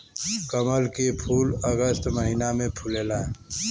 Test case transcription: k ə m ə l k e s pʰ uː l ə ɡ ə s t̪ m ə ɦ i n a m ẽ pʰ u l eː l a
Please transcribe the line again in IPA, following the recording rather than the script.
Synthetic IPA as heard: k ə m ə l k e pʰ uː l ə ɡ ə s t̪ m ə ɦ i n a m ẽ pʰ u l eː l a

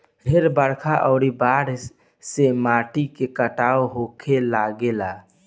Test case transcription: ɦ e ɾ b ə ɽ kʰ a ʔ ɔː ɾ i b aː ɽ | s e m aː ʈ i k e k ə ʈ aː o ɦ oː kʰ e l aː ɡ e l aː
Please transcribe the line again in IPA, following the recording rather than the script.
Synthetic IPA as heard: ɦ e ɾ b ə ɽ kʰ a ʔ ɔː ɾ i b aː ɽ | s e m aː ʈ i k e k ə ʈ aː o ɦ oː kʰ e l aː ɡ e l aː

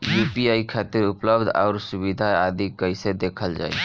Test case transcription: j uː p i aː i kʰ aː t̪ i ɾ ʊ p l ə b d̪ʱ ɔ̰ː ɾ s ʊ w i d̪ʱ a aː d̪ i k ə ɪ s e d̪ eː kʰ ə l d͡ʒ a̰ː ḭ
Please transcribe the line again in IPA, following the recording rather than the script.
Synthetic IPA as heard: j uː p i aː i kʰ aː t̪ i ɾ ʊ p l ə b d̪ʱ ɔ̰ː ɾ s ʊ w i d̪ʱ a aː d̪ i k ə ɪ s e d̪ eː kʰ ə l d͡ʒ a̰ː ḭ

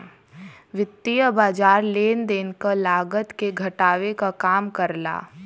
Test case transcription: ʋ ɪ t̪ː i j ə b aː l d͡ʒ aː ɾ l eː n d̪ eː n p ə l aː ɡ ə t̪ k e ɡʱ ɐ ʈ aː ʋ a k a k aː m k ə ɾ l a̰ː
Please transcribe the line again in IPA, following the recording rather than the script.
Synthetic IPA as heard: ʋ ɪ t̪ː i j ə b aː d͡ʒ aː ɾ l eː n d̪ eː n k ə l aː ɡ ə t̪ k e ɡʱ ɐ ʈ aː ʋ e k a k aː m k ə ɾ l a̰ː

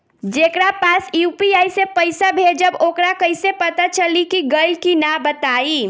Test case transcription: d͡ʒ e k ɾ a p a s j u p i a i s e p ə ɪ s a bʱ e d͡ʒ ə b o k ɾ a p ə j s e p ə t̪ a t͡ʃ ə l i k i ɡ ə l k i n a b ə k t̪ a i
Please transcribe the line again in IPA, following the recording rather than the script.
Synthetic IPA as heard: d͡ʒ e k ɾ a p a s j u p i a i s e p ə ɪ s a bʱ e d͡ʒ ə b o k ɾ a k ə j s e p ə t̪ a t͡ʃ ə l i k i ɡ ə l k i n a b ə t̪ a i

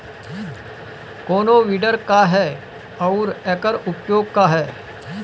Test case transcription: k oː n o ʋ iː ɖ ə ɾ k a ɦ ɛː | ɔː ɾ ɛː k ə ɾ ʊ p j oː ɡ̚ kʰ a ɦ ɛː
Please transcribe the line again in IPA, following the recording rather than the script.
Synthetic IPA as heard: k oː n o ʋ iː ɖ ə ɾ k a ɦ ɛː | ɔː ɾ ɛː k ə ɾ ʊ p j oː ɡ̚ k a ɦ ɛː

